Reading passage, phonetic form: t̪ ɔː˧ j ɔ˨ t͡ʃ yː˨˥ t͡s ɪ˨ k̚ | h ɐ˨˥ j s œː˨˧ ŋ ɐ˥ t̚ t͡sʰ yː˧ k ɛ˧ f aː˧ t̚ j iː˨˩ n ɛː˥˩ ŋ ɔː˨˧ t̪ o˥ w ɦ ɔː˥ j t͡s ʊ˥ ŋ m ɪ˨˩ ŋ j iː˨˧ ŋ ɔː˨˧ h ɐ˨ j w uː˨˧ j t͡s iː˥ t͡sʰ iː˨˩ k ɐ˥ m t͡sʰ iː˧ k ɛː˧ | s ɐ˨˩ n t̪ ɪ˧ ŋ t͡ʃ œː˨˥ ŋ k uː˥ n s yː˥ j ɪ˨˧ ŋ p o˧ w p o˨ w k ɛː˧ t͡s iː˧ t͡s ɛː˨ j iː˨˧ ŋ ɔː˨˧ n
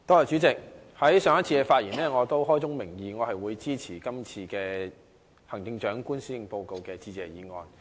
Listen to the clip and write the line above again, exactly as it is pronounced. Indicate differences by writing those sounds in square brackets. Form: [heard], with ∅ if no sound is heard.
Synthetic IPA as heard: t̪ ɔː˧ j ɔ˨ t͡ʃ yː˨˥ t͡s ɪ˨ k̚ | h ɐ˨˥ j s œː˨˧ ŋ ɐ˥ t̚ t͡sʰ [iː˧] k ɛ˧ f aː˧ t̚ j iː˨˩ n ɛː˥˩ ŋ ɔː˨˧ t̪ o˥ w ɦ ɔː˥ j t͡s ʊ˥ ŋ m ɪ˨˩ ŋ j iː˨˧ ŋ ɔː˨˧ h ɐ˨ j w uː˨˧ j t͡s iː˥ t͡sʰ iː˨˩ k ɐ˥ m t͡sʰ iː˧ k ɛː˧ | [h] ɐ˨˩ [ŋ] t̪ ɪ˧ ŋ t͡ʃ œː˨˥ ŋ k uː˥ n s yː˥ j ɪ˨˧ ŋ p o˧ w [k] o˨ w k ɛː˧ t͡s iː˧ t͡s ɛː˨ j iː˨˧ ŋ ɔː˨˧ n

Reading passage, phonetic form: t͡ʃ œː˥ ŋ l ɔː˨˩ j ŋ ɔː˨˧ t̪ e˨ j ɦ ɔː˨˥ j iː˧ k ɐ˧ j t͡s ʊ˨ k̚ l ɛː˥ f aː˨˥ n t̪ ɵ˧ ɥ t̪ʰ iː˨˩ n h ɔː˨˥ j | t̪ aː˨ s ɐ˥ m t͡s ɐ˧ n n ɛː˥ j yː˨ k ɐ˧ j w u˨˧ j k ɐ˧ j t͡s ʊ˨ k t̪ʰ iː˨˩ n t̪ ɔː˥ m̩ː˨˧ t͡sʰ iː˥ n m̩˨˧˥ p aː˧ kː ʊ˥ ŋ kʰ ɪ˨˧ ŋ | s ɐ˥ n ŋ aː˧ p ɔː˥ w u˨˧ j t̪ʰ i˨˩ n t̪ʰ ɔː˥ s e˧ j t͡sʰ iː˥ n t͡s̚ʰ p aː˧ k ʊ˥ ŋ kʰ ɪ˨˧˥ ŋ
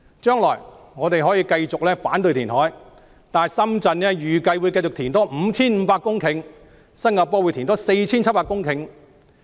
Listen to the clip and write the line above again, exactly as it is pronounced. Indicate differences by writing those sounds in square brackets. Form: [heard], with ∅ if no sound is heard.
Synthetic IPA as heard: t͡ʃ œː˥ ŋ l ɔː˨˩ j ŋ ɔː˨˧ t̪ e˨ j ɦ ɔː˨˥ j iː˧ k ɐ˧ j t͡s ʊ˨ k̚ l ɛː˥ f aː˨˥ n t̪ ɵ˧ ɥ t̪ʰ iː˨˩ n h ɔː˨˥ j | t̪ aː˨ s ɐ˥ m t͡s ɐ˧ n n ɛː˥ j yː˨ k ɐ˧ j w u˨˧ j k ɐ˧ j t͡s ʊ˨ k t̪ʰ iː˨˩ n t̪ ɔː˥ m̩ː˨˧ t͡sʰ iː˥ n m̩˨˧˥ p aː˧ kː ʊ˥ ŋ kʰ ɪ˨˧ ŋ | s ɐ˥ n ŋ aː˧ p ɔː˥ w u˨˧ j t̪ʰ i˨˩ n [t̪] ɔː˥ s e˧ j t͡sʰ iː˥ n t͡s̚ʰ p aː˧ k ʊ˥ ŋ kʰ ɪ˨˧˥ ŋ

